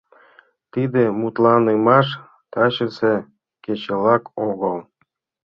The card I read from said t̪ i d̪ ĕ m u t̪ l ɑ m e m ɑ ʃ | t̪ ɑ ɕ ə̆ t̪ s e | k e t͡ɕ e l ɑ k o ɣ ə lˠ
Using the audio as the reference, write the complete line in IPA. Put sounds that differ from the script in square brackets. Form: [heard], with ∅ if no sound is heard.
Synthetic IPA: t̪ i d̪ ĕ m u t̪ l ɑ [n] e m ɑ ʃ | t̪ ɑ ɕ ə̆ [∅] s e | k e t͡ɕ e l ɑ k o ɣ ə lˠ